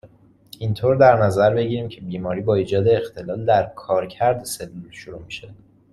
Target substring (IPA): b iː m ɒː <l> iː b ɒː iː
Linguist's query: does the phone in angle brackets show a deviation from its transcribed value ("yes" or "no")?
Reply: yes